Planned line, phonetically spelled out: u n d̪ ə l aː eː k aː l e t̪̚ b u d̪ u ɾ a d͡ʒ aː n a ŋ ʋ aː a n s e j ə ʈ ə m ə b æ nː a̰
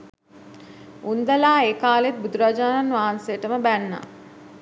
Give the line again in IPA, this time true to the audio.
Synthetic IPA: u n d̪ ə l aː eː k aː l e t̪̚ b u d̪ u ɾ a d͡ʒ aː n a n ʋ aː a n s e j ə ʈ ə m ə b æ nː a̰

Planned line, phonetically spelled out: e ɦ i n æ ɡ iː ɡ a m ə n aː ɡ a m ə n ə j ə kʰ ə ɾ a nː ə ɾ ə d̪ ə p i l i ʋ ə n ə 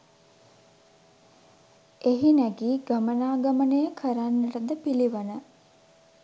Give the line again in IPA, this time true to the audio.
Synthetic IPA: e ɦ i n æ ɡ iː ɡ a m ə n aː ɡ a m ə n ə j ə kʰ ə ɾ a nː ə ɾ ə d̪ ə p i l i ʋ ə n ə

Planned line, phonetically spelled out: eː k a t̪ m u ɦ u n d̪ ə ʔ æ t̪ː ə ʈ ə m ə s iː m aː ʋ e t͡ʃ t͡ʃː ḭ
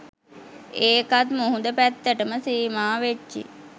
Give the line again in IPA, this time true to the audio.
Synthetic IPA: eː k a t̪ m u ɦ u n d̪ ə p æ t̪ː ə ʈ ə m ə s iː m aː ʋ e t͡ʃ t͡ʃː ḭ

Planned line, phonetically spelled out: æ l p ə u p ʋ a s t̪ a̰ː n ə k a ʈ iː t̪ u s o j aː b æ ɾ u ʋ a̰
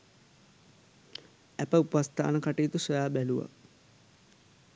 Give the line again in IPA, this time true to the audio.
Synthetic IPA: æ p ə u p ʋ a s t̪ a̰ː n ə k a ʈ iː t̪ u s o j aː b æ l u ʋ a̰

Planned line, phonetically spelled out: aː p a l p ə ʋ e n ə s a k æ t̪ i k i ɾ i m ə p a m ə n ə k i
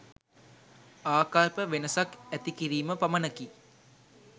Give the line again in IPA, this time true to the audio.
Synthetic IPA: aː k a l p ə ʋ e n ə s a k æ t̪ i k i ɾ iː m ə p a m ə n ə k i

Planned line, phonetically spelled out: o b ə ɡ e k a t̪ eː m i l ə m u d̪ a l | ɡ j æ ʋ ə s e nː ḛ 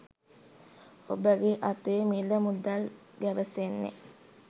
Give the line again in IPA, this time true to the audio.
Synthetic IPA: o b ə ɡ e ʔ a t̪ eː m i l ə m u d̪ a l | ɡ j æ ʋ ə s e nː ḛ

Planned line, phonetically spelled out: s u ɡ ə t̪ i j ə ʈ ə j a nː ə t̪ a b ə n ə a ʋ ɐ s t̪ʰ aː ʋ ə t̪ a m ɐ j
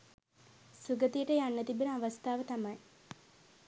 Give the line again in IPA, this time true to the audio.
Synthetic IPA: s u ɡ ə t̪ i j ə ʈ ə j a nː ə t̪ i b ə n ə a ʋ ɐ s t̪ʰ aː ʋ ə t̪ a m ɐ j

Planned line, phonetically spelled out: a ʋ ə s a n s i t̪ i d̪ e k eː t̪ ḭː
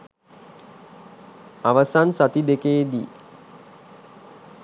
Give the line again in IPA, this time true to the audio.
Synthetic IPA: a ʋ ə s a n s a t̪ i d̪ e k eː d̪ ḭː

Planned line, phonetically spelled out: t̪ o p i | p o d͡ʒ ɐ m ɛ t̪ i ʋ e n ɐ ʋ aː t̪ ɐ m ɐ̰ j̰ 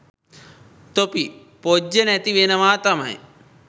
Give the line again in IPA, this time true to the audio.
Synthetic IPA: t̪ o p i | p o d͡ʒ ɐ n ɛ t̪ i ʋ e n ɐ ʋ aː t̪ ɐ m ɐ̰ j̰

